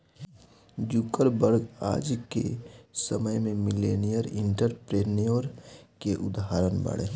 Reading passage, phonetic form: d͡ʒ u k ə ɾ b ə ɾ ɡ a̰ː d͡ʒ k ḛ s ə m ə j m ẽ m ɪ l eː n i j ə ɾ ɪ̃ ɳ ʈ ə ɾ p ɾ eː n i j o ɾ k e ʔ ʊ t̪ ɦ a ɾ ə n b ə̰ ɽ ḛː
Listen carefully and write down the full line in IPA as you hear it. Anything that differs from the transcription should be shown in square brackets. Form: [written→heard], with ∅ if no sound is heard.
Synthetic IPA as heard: d͡ʒ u k ə ɾ b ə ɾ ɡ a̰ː d͡ʒ k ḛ s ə m ə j m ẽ m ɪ l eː n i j ə ɾ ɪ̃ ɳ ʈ ə ɾ p ɾ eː n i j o ɾ k e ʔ ʊ [t̪→d̪] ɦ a ɾ ə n b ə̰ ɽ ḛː